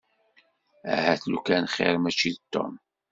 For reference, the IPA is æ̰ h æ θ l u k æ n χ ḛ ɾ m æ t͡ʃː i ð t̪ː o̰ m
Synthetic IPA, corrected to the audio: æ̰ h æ θ l u k æ n χ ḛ ɾ m æ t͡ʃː i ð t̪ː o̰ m